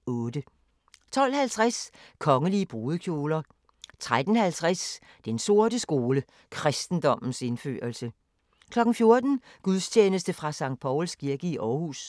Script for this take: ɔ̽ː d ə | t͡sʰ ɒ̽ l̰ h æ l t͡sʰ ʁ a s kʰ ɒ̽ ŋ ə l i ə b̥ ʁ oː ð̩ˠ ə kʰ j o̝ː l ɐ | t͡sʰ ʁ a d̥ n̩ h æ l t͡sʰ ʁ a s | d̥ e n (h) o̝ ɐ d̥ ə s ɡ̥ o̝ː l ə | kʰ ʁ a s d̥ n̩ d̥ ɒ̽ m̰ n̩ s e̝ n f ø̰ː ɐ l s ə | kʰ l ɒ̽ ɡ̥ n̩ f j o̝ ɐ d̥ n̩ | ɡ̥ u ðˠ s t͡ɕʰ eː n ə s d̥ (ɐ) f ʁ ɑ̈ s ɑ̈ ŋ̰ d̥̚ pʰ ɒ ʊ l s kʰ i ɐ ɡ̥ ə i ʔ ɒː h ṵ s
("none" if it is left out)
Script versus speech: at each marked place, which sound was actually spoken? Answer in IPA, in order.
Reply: s, ə

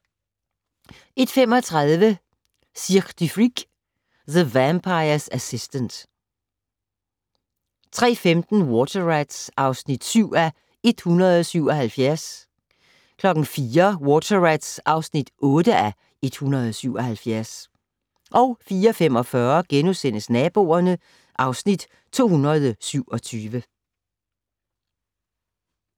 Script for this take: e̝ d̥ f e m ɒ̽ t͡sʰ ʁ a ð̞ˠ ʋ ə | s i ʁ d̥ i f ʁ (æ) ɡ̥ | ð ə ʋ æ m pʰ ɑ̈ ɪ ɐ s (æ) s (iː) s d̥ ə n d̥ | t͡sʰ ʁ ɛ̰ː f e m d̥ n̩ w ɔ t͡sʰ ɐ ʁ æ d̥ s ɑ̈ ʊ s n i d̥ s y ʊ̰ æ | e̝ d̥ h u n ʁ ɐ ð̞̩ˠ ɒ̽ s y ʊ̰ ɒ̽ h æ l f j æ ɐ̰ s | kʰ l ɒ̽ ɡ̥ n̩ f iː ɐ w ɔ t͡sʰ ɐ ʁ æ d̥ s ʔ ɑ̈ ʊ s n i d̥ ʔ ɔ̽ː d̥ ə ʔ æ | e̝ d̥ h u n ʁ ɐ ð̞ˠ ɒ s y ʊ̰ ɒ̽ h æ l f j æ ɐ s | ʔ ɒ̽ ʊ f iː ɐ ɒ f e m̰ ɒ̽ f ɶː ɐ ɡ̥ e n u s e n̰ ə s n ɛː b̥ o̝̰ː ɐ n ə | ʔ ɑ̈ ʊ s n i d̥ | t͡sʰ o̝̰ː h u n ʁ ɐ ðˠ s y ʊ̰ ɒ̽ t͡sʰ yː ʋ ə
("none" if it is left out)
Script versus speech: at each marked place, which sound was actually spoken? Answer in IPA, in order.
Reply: i, æ, i

